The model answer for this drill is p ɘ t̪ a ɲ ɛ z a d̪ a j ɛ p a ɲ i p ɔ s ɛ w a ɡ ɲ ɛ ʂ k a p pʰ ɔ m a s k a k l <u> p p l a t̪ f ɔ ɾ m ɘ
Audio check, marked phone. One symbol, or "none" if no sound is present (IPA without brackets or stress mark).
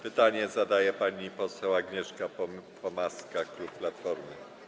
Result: u